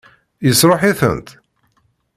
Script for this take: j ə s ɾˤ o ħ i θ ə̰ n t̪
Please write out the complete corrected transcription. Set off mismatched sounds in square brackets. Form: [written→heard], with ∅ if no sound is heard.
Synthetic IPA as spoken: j ə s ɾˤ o ħ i θ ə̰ n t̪